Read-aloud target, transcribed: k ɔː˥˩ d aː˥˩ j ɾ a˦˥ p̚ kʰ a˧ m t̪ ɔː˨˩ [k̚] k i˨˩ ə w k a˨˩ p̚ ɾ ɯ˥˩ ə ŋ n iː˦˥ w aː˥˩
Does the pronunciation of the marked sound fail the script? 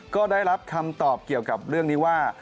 yes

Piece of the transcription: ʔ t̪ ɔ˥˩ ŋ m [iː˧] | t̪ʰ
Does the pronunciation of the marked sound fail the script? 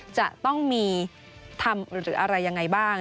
no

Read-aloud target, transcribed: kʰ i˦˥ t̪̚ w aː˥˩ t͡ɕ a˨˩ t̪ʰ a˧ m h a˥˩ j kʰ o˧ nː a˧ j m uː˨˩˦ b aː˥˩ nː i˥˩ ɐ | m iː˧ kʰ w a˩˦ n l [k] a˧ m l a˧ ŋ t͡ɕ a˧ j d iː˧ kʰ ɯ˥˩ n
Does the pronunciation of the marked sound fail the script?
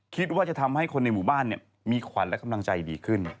no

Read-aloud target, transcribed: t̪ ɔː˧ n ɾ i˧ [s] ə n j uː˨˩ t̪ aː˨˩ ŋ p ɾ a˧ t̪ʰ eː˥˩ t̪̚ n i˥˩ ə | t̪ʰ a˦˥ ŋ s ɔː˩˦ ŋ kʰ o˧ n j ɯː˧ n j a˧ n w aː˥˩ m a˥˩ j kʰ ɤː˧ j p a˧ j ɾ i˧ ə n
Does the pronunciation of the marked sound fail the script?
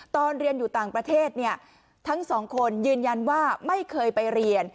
yes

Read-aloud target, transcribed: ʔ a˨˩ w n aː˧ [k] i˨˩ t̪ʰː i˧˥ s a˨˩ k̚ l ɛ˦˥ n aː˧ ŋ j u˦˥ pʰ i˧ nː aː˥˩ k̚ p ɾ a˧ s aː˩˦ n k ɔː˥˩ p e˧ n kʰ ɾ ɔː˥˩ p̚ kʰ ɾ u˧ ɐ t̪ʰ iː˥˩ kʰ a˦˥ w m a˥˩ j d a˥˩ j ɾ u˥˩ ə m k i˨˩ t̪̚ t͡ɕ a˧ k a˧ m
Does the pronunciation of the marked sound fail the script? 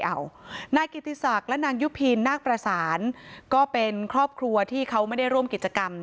no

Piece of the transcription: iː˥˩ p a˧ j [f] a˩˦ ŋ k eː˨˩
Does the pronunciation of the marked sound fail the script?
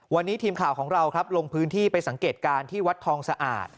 yes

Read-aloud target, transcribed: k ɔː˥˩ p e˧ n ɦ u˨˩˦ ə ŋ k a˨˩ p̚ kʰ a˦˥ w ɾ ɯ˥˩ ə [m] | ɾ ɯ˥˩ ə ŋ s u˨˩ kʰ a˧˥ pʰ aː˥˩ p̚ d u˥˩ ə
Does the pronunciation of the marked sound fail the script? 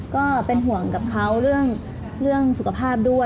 yes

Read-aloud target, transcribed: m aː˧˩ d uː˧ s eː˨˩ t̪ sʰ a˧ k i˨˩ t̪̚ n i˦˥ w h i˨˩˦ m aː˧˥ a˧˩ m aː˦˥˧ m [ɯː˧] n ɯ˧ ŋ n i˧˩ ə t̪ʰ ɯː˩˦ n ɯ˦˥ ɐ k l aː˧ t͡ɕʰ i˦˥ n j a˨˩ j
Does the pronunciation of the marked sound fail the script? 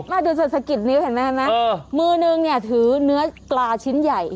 no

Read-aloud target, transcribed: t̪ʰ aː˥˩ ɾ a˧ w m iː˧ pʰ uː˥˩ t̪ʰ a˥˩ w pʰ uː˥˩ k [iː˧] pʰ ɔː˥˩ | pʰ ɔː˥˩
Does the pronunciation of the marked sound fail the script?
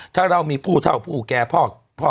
yes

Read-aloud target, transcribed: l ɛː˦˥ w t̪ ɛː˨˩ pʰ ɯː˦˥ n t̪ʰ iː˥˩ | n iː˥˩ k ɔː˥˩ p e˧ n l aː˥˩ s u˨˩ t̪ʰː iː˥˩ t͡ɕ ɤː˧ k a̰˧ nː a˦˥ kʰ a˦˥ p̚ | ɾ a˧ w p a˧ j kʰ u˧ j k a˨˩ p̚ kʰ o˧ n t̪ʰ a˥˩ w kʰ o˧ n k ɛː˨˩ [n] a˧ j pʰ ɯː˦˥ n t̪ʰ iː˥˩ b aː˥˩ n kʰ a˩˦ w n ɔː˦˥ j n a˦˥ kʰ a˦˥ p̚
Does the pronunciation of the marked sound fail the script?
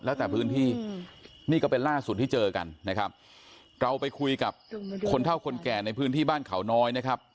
no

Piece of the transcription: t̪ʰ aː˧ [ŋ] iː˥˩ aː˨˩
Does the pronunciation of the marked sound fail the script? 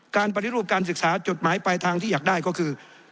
no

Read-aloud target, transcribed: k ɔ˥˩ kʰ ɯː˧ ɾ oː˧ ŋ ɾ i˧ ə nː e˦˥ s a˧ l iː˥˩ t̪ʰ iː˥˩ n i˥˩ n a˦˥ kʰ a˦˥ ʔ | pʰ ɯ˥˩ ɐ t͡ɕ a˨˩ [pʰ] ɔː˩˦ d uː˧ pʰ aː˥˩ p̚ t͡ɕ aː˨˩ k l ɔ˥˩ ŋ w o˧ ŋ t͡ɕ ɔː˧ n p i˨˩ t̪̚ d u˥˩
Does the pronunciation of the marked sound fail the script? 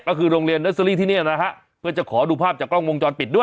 yes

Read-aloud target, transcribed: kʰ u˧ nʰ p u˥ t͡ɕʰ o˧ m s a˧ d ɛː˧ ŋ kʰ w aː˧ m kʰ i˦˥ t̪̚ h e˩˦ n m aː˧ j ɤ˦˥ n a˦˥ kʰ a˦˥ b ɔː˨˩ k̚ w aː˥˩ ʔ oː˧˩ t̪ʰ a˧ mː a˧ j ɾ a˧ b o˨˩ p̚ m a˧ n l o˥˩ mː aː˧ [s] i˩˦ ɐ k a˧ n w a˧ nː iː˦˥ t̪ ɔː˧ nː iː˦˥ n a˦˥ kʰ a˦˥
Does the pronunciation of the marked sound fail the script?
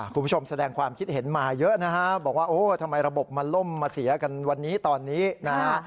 no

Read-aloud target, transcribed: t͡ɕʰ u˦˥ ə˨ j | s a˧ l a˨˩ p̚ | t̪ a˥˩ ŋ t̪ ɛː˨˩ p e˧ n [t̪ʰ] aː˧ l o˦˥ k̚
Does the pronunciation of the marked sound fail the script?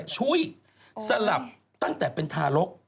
no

